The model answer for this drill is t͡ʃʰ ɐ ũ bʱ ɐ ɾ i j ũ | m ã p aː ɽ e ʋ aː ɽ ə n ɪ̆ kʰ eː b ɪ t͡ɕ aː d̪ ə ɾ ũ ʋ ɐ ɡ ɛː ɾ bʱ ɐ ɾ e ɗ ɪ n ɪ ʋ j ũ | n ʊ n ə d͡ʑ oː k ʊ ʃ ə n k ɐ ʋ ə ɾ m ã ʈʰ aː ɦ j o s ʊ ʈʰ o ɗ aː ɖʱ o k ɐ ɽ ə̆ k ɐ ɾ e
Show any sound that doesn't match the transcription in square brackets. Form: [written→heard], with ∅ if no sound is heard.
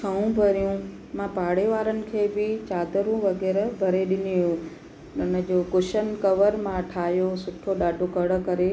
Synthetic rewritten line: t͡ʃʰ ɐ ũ bʱ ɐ ɾ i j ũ | m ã p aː ɽ e ʋ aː [ɽ→ɾ] ə n ɪ̆ kʰ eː b ɪ t͡ɕ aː d̪ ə ɾ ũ ʋ ɐ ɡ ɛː ɾ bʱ ɐ ɾ e ɗ ɪ n [ɪ→i] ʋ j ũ | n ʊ n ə d͡ʑ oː k ʊ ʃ ə n k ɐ ʋ ə ɾ m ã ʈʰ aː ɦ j o s ʊ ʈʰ o ɗ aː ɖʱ o k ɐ ɽ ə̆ k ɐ ɾ e